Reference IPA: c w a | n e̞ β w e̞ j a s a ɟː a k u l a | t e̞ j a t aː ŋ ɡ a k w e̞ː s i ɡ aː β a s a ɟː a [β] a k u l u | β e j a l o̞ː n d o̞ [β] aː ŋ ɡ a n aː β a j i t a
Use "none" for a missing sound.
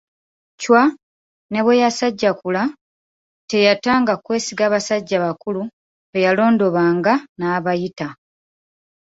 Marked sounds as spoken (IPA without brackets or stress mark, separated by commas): β, β